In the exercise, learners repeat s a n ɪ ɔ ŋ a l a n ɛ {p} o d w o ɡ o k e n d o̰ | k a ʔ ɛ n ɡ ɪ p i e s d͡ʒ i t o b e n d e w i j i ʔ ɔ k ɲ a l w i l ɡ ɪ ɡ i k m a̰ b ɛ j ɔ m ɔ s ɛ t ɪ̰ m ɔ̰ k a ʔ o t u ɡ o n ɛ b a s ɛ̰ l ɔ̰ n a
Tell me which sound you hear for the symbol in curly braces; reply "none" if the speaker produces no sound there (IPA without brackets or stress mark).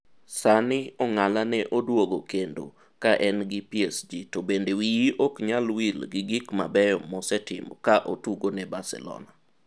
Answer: ʔ